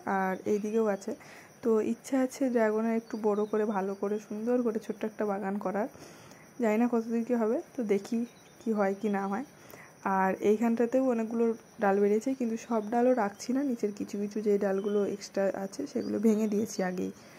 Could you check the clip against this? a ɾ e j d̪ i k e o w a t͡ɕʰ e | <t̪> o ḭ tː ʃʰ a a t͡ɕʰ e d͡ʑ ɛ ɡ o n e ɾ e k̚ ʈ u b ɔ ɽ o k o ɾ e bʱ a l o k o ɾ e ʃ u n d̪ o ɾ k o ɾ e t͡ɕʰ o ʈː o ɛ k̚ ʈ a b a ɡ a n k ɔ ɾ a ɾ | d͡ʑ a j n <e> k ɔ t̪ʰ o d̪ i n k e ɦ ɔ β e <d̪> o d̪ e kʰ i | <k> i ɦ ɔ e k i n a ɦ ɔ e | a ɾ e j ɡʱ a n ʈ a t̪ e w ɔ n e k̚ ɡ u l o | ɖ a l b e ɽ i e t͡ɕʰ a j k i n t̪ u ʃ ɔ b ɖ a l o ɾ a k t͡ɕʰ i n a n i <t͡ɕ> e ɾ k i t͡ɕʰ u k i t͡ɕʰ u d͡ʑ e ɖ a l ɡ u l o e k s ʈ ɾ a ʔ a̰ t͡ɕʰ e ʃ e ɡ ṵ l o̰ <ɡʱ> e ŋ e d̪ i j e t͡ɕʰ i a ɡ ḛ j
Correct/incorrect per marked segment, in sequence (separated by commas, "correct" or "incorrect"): correct, incorrect, incorrect, correct, correct, incorrect